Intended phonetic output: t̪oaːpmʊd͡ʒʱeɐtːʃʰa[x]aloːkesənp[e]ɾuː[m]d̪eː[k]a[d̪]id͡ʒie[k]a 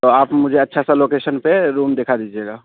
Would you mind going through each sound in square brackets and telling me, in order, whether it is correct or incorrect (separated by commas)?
incorrect, correct, correct, incorrect, correct, incorrect